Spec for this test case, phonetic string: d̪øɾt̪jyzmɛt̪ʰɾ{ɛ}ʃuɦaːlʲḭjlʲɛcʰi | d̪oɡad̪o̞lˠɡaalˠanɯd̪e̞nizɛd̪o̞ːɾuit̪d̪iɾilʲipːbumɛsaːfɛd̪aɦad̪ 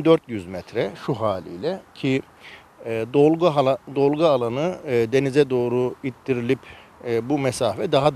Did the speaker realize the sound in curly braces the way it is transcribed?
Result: yes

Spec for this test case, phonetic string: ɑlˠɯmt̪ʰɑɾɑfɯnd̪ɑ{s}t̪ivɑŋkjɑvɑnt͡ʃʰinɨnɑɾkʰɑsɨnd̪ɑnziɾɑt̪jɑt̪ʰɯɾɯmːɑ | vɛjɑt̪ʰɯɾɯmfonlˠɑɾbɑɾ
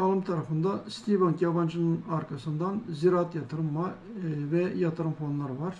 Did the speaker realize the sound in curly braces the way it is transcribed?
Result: yes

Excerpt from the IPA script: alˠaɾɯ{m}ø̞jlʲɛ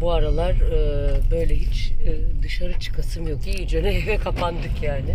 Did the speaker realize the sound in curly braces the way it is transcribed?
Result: no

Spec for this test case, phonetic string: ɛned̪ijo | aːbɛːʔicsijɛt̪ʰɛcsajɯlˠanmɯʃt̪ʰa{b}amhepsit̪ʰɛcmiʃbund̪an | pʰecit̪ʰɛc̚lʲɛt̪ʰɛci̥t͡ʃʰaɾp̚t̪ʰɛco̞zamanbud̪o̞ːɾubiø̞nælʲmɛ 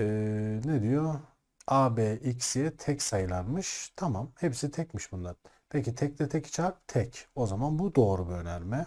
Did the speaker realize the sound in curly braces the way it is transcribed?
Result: no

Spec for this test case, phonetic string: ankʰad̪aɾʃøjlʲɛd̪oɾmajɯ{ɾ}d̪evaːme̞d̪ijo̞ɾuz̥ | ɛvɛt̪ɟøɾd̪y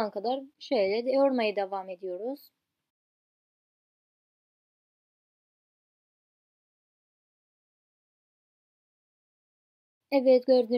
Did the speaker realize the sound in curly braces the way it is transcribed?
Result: no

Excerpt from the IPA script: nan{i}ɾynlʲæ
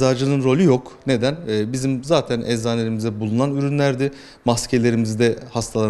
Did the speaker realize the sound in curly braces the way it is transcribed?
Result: no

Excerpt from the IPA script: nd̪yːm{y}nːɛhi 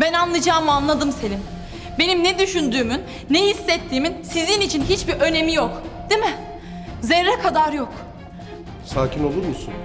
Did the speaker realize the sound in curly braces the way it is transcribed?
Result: yes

